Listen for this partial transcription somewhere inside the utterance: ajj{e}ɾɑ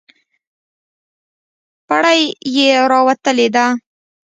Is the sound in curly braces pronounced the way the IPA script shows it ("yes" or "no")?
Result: yes